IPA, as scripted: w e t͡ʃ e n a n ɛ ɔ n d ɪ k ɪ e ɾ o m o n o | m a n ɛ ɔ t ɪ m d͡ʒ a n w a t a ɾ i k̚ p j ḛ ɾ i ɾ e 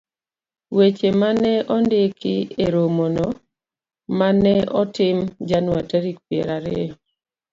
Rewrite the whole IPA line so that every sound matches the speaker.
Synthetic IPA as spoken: w e t͡ʃ e m a n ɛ ɔ n d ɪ k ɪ e ɾ o m o n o | m a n ɛ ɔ t ɪ m d͡ʒ a n w a t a ɾ i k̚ p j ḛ ɾ a ɾ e